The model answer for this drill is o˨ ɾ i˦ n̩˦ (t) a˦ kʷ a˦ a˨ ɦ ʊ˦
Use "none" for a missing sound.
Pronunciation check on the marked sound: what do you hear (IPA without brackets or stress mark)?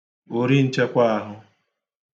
t͡ʃ